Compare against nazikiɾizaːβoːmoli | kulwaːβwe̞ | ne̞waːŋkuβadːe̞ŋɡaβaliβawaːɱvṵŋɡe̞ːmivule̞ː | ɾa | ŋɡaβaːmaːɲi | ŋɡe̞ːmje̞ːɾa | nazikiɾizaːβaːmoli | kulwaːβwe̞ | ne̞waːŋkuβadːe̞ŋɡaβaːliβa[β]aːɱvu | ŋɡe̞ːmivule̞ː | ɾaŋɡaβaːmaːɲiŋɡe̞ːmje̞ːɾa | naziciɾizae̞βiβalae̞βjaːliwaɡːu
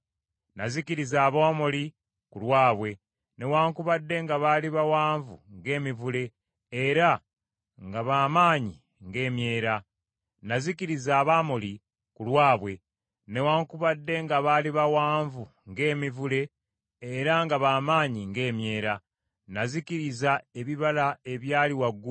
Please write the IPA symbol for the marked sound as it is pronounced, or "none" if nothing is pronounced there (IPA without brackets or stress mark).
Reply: w